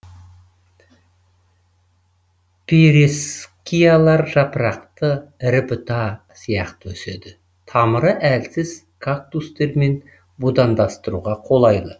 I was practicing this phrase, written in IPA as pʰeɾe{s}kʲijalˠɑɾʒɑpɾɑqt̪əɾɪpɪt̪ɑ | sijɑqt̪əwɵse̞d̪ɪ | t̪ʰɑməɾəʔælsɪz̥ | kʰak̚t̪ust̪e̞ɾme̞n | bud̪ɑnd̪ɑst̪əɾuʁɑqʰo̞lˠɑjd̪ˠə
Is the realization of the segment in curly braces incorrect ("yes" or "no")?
no